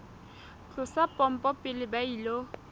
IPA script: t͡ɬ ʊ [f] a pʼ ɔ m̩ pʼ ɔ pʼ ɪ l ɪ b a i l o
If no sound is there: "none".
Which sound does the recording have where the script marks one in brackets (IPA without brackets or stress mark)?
s